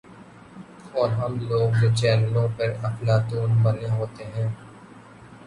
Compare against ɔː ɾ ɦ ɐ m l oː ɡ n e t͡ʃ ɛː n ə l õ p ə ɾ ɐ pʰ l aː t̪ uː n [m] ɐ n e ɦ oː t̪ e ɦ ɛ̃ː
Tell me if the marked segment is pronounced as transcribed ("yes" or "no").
no